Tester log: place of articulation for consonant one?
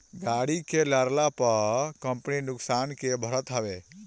velar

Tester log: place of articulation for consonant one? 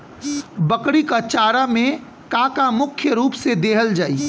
labial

